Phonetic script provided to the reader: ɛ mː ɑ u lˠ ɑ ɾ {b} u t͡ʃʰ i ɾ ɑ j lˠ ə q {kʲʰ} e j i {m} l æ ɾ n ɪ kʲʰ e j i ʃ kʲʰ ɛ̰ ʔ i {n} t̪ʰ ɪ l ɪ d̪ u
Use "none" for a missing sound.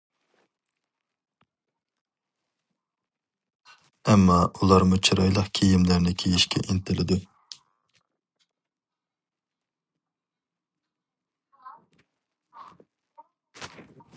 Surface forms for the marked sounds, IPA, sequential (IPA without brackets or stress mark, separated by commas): m, kʲʰ, m, n